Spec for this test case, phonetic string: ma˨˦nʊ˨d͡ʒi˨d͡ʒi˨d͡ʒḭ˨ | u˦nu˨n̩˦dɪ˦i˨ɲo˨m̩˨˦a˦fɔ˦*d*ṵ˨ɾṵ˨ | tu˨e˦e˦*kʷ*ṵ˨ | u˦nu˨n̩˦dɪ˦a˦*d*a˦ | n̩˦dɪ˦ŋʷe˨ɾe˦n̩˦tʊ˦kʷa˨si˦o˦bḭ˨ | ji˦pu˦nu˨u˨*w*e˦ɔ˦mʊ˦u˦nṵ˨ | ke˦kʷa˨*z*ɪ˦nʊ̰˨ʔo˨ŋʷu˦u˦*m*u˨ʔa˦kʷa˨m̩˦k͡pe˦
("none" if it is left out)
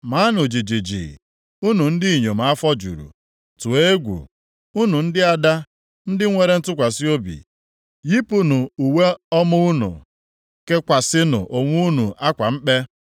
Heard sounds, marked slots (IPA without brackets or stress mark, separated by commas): d͡ʒ, ɡʷ, d, w, s, n